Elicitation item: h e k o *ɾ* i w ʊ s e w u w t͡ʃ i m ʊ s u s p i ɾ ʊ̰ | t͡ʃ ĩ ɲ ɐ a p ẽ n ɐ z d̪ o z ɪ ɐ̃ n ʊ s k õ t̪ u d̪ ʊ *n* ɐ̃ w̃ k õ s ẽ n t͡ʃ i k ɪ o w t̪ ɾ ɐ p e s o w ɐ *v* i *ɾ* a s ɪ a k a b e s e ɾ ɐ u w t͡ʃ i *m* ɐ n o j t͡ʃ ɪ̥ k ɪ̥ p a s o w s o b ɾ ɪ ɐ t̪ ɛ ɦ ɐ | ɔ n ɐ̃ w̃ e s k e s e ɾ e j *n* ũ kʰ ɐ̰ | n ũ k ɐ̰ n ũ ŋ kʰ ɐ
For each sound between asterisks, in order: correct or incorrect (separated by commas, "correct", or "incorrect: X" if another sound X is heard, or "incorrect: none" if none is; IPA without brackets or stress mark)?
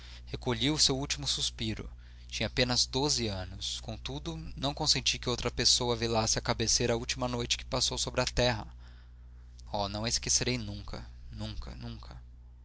incorrect: ʎ, correct, correct, incorrect: l, correct, correct